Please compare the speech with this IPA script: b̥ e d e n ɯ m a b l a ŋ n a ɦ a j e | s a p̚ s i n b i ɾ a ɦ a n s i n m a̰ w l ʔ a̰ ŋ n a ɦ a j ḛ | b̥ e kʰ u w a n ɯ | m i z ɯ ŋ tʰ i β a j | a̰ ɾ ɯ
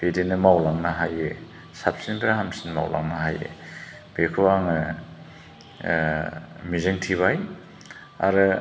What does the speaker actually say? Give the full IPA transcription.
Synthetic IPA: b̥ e d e n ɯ m a w l a ŋ n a ɦ a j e | s a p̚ s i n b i ɾ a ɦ a m s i n m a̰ w l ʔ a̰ ŋ n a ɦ a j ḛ | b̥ e kʰ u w a ŋ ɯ | m i z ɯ ŋ tʰ i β a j | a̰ ɾ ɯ